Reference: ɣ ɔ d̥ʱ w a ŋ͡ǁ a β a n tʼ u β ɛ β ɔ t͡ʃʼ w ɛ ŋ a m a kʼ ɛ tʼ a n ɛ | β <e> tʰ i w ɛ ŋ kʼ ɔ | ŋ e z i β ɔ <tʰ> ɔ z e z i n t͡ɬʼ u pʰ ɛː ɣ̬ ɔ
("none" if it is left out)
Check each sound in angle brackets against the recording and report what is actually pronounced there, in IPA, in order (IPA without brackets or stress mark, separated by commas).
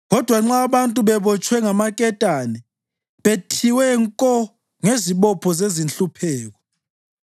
e, pʰ